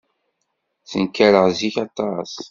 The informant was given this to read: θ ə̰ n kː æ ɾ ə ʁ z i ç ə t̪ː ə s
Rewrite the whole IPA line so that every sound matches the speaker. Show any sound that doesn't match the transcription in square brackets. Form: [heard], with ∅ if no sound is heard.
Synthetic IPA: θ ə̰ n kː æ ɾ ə ʁ z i ç [ɑ] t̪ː [ɑ] s